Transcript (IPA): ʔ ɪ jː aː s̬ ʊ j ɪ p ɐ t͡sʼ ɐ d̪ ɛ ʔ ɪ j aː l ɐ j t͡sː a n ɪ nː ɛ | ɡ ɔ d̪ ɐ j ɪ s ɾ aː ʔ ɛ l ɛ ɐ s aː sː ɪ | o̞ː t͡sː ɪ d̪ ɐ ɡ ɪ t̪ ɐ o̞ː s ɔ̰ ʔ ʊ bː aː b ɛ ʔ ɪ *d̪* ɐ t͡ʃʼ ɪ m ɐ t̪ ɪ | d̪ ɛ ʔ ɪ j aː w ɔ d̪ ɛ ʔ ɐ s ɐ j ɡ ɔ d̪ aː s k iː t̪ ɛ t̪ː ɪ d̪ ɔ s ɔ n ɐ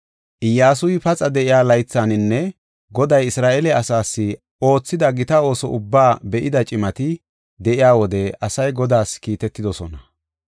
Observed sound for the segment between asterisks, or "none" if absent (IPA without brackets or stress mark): d̪